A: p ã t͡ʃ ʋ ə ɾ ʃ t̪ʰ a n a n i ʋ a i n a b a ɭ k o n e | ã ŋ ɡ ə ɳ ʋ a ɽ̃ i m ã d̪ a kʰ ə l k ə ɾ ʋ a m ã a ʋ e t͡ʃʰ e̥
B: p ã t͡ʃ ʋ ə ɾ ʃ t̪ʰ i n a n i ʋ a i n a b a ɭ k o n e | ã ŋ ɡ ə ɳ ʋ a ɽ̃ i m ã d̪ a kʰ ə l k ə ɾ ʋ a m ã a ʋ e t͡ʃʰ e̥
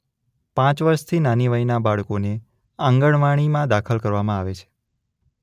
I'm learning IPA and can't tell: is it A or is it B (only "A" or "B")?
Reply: B